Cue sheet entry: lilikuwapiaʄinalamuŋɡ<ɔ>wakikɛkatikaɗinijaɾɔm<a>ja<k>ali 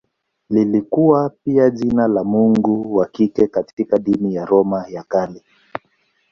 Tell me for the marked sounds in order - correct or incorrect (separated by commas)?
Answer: incorrect, correct, correct